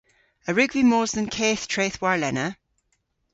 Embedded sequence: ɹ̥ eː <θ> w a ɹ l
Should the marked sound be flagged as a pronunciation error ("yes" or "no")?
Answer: no